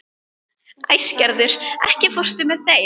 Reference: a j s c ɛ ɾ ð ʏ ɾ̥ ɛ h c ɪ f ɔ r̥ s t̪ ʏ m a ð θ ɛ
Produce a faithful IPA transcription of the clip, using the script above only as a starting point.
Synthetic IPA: a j s c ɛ ɾ ð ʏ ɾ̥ ɛ h c ɪ f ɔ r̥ s t̪ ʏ m ɛ ð θ e